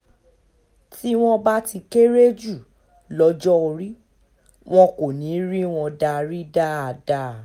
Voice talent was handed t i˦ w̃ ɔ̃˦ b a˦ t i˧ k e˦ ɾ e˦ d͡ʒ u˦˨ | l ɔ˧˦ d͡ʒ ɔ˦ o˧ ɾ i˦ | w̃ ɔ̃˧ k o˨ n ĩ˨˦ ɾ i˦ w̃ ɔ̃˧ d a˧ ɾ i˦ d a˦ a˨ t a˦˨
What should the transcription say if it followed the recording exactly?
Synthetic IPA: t i˦ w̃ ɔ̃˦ b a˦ t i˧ k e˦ ɾ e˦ d͡ʒ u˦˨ | l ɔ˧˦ d͡ʒ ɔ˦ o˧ ɾ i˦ | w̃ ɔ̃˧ k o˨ n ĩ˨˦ ɾ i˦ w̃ ɔ̃˧ d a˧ ɾ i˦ d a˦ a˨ d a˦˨